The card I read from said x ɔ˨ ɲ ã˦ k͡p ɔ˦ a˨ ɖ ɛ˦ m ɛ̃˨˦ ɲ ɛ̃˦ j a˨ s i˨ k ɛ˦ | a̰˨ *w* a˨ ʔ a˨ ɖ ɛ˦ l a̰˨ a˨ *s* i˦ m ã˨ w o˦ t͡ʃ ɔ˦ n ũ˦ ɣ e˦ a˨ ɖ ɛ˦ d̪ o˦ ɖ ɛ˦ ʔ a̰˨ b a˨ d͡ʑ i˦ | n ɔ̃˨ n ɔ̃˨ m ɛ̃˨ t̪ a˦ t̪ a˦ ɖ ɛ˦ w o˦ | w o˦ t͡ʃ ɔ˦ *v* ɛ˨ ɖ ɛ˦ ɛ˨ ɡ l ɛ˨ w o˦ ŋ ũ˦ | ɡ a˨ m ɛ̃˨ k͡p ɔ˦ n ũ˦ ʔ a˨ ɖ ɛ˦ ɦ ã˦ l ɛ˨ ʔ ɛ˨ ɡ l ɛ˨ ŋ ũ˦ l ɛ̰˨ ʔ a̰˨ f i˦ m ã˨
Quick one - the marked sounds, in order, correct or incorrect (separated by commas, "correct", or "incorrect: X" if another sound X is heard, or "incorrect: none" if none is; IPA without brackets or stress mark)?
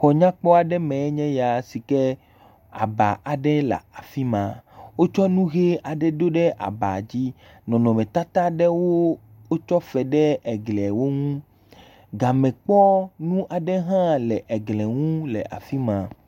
incorrect: b, incorrect: f, incorrect: f